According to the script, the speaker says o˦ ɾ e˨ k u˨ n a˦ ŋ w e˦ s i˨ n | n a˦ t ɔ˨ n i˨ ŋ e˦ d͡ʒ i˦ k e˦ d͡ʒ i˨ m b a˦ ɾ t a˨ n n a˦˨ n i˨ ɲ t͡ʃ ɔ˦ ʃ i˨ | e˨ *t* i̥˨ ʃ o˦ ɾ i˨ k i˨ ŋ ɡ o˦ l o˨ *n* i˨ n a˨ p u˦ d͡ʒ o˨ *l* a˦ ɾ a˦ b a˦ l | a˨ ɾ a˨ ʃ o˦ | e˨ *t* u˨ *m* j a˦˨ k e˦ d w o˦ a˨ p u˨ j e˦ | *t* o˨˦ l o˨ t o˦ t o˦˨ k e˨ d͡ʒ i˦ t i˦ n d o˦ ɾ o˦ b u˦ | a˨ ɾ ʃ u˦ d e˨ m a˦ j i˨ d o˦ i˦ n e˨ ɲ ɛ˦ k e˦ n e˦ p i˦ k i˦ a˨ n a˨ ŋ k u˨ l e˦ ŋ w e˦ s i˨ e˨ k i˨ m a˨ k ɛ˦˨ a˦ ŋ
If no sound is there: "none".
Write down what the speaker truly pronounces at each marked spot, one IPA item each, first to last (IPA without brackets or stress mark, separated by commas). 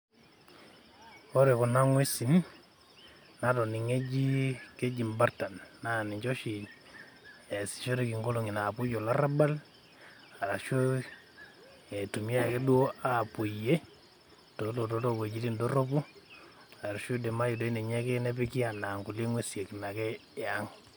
s, ŋ, l, t, m, t